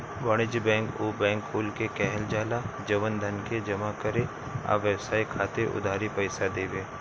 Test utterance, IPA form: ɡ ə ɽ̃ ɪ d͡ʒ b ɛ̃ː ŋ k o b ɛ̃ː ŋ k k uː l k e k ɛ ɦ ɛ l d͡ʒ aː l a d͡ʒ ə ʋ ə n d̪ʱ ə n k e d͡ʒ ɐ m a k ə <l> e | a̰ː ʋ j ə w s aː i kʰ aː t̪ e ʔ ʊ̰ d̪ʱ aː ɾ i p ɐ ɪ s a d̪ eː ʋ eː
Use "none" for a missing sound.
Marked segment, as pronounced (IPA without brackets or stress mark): ɾ